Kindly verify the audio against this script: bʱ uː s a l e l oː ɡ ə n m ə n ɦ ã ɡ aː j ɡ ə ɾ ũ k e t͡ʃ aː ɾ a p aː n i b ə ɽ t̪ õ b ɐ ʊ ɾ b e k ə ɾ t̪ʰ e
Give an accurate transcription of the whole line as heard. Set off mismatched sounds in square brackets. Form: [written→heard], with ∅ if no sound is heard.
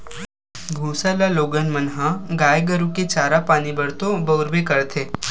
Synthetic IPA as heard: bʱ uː s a l [e→a] l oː ɡ ə n m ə n ɦ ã ɡ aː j ɡ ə ɾ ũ k e t͡ʃ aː ɾ a p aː n i b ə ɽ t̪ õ b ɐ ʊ ɾ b e k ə ɾ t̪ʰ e

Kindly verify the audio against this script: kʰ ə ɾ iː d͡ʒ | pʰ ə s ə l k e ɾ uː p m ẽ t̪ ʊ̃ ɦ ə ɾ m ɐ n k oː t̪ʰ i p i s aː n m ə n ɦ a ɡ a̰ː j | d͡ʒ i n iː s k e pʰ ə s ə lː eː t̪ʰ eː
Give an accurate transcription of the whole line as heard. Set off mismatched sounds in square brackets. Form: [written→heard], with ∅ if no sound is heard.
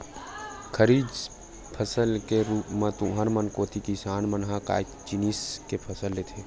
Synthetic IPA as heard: kʰ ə ɾ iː d͡ʒ | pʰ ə s ə l k e ɾ uː p m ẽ t̪ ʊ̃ ɦ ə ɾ m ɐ n k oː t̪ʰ i [p→k] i s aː n m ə n ɦ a [ɡ→k] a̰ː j | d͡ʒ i n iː s k e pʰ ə s ə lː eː t̪ʰ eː

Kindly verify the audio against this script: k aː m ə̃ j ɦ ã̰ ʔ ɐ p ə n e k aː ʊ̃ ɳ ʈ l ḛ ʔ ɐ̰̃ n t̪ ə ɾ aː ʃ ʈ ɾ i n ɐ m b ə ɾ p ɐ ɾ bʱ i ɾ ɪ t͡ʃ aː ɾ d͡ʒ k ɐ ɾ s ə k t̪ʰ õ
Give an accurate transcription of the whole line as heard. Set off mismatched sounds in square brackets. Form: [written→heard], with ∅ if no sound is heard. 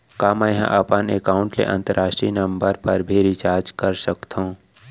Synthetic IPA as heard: k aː m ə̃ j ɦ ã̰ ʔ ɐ p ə n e k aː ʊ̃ ɳ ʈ l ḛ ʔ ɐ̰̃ n t̪ ə ɾ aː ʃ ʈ ɾ i n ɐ m b ə ɾ p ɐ ɾ bʱ i ɾ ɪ t͡ʃ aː ɾ d͡ʒ k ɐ ɾ s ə k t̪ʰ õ

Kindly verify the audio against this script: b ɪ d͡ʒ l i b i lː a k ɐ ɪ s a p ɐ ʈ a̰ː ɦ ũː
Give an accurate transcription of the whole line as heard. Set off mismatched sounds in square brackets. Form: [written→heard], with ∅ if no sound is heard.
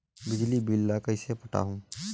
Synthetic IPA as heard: b ɪ d͡ʒ l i b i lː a k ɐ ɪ s [a→e] p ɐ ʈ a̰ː ɦ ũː

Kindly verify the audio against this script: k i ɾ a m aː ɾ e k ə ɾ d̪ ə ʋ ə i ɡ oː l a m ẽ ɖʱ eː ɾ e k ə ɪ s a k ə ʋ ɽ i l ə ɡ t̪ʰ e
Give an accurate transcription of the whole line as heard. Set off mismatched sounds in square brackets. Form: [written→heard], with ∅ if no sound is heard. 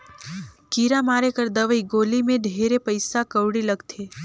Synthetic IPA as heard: k i ɾ a m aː ɾ e k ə ɾ d̪ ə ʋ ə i ɡ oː l [a→i] m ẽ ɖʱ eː ɾ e [k→p] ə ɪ s a k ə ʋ ɽ i l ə ɡ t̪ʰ e

